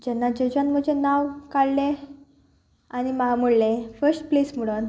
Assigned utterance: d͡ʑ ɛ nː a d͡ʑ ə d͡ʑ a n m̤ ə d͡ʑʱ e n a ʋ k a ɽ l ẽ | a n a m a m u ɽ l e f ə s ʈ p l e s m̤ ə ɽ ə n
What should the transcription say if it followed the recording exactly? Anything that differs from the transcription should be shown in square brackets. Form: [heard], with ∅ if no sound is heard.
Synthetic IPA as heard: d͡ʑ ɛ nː a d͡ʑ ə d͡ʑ a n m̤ ə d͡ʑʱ e n a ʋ k a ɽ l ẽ | a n [i] m a m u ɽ l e f ə s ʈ p l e s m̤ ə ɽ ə n